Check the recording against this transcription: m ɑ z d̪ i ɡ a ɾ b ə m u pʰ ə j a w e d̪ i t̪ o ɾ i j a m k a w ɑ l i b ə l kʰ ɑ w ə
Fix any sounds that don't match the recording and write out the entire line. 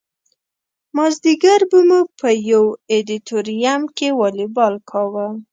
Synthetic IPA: m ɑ z d̪ i ɡ a ɾ b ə m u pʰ ə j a w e d̪ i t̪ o ɾ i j a m k e w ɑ l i b ɑ l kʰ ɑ w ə